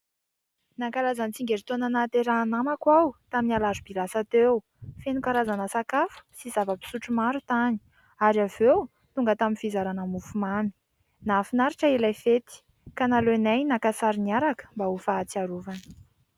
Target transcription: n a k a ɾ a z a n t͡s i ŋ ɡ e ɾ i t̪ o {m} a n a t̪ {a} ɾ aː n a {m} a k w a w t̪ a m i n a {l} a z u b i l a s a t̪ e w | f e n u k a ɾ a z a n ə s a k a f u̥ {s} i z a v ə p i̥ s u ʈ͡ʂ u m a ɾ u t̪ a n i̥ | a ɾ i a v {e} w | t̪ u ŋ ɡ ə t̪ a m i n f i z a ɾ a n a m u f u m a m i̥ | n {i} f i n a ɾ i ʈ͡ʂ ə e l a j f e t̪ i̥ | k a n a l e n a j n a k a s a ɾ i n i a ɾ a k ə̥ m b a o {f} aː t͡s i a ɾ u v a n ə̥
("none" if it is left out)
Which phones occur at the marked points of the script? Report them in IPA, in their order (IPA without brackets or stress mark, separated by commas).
n, e, m, l, s, e, a, f